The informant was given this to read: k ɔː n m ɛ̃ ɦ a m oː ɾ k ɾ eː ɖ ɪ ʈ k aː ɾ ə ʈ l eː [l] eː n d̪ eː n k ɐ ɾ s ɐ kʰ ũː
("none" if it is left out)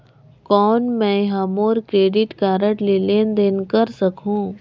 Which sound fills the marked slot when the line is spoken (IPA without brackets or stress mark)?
l